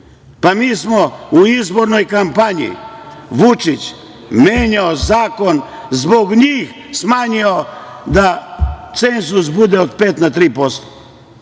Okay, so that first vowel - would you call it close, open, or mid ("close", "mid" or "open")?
open